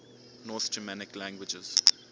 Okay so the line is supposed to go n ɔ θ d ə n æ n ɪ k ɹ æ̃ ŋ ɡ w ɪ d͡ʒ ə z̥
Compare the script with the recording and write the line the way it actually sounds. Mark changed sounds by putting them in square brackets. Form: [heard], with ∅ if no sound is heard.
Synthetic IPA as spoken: n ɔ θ [d͡ʒ] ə [m] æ n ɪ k [l] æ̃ ŋ ɡ w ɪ d͡ʒ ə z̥